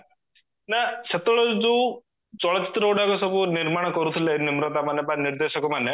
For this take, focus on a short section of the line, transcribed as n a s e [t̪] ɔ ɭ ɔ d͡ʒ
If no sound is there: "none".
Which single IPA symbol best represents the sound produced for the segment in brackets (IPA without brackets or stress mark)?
t̪